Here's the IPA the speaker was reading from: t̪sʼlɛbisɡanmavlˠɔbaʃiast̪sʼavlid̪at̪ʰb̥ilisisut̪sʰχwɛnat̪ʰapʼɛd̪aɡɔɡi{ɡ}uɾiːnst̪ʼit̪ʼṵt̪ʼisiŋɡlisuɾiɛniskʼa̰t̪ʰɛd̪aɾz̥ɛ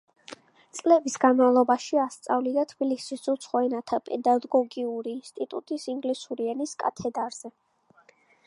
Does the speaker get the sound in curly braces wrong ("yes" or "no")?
yes